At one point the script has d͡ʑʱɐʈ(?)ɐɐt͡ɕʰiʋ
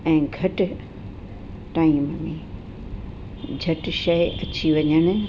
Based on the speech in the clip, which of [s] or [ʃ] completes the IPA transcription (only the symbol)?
ʃ